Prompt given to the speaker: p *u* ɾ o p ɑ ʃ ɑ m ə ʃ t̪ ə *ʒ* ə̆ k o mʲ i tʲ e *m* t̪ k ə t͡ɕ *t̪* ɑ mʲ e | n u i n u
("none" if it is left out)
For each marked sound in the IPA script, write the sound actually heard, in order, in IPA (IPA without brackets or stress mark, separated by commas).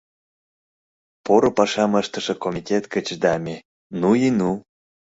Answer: o, ʃ, none, d̪